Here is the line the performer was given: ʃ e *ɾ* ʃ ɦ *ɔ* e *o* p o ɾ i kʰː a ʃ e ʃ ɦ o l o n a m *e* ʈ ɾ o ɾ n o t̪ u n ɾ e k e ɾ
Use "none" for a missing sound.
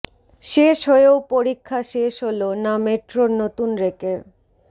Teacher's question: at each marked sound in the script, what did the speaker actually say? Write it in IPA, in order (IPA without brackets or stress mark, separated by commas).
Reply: none, o, o, e